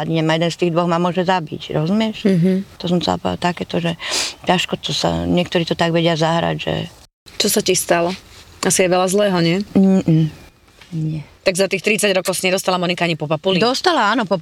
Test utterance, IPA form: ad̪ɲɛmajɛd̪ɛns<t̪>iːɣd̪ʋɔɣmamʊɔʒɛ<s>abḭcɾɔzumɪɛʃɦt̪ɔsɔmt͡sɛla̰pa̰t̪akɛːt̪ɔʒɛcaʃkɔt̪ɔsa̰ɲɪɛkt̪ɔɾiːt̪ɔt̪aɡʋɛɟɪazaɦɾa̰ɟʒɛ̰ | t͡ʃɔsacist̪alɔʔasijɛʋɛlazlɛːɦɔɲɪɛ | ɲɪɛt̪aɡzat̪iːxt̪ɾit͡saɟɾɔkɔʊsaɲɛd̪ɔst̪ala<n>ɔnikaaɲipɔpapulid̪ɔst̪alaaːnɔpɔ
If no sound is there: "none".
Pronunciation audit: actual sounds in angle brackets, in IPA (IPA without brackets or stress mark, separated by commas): t̪, z, m